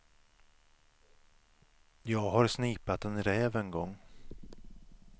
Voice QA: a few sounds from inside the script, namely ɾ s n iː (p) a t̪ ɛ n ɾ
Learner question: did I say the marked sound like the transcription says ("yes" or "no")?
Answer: yes